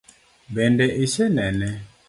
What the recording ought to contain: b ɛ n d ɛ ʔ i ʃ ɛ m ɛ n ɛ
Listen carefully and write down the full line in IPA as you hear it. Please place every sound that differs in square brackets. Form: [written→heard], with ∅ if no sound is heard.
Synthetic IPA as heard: b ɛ n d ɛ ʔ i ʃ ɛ [m→n] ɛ n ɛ